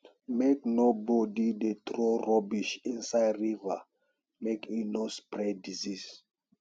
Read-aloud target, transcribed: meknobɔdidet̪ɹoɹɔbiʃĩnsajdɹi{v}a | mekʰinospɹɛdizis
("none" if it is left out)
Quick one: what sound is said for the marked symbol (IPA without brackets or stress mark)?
v